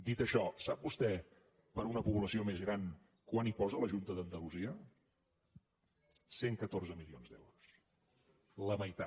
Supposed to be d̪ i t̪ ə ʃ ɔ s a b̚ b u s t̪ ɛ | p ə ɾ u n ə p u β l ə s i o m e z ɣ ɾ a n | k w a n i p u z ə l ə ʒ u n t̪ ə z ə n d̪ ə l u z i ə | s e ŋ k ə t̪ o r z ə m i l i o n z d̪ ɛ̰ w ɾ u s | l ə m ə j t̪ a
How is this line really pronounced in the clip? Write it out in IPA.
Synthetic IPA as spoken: d̪ i t̪ ə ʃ ɔ s a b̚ b u s t̪ ɛ | p ə ɾ u n ə p u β l ə s i o m e z ɣ ɾ a n | k w a n i p ɔ z ə l ə ʒ u n t̪ ə ð ə n d̪ ə l u z i ə | s e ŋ k ə t̪ o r z ə m i l i o n z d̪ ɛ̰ w ɾ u s | l ə m ə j t̪ a